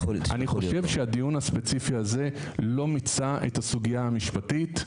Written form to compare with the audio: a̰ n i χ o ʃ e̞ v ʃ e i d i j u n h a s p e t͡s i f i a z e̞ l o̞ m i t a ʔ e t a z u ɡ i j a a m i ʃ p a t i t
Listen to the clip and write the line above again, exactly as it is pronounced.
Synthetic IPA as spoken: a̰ n i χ o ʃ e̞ v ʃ e a d i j u n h a s p e t͡s i f i a z e̞ l o̞ m i t͡s a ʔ e t a s u ɡ i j a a m i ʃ p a t i t